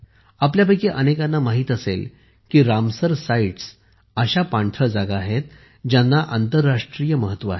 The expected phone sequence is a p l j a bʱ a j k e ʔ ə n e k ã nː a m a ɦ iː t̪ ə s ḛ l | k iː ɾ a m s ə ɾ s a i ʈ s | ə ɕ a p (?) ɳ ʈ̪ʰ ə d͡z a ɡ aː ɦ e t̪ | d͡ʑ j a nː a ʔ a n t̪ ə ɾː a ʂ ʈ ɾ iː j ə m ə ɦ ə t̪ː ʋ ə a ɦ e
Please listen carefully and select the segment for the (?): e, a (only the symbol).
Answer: a